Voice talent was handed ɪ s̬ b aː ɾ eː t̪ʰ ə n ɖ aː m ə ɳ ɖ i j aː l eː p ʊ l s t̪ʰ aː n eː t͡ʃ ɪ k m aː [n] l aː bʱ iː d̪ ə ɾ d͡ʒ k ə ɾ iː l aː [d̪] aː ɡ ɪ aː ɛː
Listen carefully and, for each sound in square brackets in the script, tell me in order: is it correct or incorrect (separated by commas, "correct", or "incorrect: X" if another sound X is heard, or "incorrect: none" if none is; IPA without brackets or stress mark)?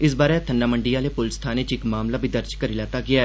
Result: incorrect: m, incorrect: t̪